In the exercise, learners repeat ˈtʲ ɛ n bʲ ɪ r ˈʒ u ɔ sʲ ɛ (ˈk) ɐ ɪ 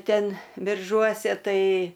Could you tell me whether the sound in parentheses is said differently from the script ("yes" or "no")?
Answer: yes